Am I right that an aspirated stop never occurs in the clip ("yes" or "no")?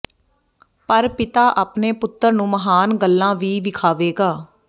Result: no